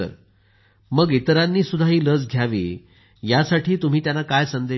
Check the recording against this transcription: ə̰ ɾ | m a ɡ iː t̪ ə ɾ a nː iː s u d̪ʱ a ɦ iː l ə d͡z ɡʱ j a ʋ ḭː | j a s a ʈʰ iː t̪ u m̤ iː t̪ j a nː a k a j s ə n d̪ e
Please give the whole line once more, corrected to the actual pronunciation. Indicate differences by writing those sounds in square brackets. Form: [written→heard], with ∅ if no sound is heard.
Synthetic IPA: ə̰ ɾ | m [a→ə] ɡ [iː→i] t̪ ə ɾ a nː iː s u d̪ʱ a ɦ iː l ə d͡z ɡʱ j a ʋ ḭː | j a s a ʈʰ iː t̪ u m̤ iː t̪ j a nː a k a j s ə n d̪ e